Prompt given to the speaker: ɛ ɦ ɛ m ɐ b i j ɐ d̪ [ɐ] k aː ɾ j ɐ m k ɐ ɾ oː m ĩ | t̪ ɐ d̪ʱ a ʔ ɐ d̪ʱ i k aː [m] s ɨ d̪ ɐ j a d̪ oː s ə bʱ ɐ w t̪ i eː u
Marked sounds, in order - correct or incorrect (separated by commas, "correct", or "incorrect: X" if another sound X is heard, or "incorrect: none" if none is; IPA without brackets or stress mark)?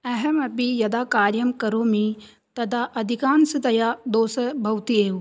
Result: incorrect: a, incorrect: n